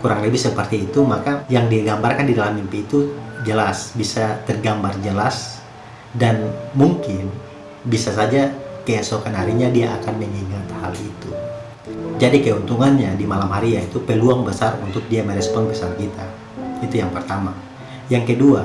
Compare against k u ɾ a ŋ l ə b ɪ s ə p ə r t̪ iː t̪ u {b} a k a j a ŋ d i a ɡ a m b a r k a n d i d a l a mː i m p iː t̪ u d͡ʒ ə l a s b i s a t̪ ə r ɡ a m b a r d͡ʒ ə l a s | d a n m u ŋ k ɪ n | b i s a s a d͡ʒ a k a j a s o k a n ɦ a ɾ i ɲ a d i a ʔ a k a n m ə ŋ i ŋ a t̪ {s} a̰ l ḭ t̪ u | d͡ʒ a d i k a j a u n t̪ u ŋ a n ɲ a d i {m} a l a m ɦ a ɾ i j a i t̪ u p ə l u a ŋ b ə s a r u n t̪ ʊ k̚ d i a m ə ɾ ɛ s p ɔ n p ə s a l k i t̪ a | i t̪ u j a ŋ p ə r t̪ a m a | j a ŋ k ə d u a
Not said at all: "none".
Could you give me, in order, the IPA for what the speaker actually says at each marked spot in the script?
m, h, m

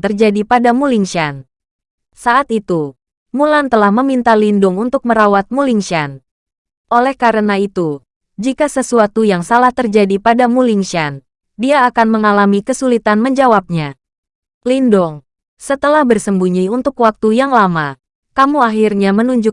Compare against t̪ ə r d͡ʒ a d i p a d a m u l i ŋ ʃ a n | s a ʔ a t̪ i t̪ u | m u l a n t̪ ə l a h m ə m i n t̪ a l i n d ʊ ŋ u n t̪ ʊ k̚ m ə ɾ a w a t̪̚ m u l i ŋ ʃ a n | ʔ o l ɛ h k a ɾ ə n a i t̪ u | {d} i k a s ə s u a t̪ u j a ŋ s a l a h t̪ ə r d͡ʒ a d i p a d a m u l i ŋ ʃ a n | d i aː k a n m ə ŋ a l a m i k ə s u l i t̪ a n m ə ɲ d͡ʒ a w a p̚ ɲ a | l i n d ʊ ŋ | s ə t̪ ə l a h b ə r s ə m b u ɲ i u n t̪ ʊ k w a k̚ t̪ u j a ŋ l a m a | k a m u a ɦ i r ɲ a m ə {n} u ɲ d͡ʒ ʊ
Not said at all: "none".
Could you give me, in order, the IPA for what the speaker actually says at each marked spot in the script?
d͡ʒ, n

